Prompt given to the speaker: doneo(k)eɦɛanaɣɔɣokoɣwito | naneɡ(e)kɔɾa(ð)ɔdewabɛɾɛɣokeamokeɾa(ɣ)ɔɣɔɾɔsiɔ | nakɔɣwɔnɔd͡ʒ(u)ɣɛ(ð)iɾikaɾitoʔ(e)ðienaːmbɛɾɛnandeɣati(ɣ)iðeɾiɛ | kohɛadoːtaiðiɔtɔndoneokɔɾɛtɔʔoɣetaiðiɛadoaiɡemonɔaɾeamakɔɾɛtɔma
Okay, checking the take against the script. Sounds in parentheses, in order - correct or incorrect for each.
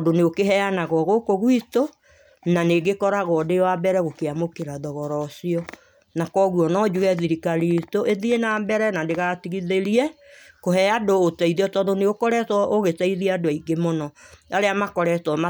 correct, correct, incorrect, incorrect, correct, correct, correct, correct

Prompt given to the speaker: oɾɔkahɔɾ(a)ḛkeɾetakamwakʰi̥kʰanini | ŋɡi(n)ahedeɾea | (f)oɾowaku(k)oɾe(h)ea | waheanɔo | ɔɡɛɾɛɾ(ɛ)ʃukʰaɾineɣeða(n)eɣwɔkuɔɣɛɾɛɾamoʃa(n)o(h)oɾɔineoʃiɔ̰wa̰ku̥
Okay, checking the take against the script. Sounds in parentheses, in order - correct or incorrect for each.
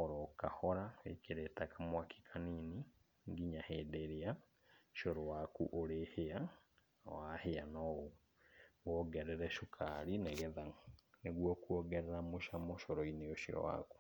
correct, incorrect, incorrect, incorrect, correct, correct, correct, incorrect, incorrect

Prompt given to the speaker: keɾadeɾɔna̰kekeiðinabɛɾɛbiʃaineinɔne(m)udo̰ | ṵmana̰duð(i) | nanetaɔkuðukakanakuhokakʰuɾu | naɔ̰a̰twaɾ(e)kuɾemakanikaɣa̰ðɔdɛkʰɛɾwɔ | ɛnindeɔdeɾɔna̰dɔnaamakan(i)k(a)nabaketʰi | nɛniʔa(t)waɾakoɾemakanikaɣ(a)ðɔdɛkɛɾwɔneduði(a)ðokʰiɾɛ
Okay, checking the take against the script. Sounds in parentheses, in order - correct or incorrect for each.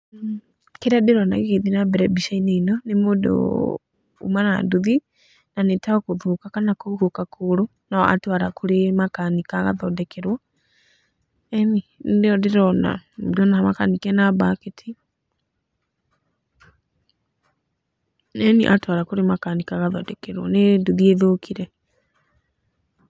correct, correct, incorrect, correct, incorrect, correct, correct, incorrect

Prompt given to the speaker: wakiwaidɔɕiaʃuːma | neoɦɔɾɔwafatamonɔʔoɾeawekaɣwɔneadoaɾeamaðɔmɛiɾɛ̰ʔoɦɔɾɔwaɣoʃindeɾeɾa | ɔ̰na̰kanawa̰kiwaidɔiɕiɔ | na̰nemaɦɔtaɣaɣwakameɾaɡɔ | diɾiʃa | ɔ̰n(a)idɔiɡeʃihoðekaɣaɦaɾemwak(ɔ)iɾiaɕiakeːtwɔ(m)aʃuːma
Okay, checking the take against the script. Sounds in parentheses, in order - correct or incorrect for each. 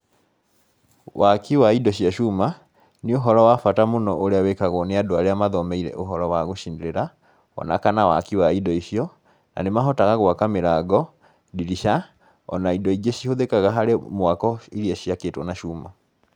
correct, correct, incorrect

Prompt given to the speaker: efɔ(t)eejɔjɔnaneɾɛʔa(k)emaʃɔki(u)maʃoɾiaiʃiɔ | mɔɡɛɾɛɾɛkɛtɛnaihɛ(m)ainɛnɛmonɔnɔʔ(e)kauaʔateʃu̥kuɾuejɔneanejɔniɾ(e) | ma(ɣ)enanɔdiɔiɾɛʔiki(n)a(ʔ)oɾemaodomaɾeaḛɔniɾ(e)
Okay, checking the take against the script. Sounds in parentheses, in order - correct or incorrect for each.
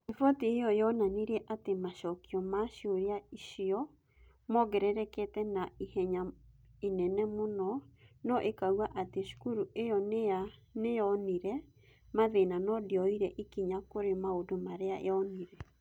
correct, incorrect, incorrect, incorrect, correct, incorrect, incorrect, incorrect, incorrect, incorrect

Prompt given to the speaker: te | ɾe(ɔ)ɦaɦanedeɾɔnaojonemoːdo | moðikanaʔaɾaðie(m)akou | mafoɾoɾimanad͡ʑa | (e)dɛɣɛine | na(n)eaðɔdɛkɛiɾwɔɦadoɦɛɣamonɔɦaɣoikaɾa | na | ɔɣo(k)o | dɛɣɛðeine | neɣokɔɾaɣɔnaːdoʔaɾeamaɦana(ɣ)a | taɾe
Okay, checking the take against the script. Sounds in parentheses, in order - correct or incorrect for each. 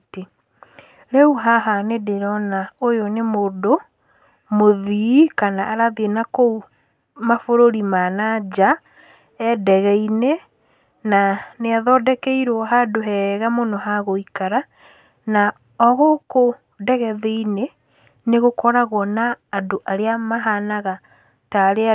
incorrect, incorrect, incorrect, correct, correct, correct

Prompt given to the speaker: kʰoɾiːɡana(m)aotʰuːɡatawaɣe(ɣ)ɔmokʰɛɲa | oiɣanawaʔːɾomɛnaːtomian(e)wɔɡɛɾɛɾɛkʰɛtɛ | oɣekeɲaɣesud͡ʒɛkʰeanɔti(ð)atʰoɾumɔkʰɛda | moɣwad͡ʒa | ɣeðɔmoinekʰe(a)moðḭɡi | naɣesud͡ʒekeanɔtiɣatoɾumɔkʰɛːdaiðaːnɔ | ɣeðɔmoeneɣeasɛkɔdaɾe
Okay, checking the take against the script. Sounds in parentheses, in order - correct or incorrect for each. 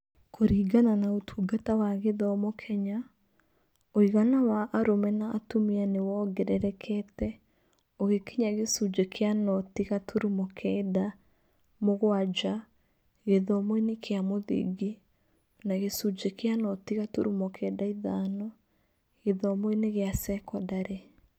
incorrect, incorrect, correct, incorrect, correct

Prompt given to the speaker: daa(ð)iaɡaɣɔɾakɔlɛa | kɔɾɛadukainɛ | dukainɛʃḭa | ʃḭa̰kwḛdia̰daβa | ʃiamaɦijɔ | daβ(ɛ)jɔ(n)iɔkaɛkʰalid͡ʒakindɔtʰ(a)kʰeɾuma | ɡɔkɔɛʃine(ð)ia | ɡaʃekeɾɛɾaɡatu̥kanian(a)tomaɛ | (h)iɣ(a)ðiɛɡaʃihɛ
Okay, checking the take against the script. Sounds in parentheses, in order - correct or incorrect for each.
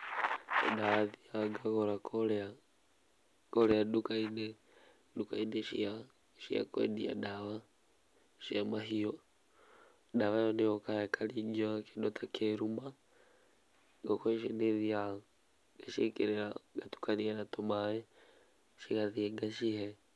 correct, incorrect, correct, correct, correct, correct, incorrect, correct

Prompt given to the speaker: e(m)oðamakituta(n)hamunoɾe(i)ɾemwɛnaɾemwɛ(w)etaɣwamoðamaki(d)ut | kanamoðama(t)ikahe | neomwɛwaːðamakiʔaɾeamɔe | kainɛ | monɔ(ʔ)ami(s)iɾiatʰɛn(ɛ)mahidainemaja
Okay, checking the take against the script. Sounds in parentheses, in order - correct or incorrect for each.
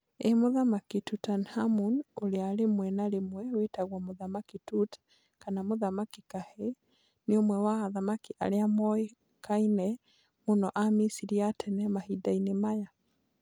correct, correct, incorrect, correct, incorrect, incorrect, correct, correct, correct

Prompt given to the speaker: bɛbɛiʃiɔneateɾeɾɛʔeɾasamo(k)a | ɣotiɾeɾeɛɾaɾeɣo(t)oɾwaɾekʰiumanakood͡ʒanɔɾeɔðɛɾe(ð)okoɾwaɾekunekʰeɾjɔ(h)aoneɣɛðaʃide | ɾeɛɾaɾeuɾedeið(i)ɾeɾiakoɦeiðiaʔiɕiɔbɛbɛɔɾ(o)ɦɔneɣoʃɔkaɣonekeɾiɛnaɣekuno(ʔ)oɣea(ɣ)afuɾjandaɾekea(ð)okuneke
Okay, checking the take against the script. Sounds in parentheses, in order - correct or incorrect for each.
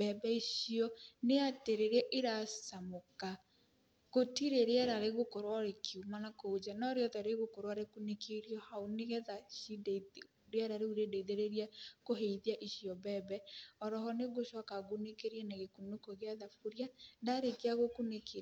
correct, incorrect, incorrect, correct, incorrect, incorrect, incorrect, incorrect, incorrect

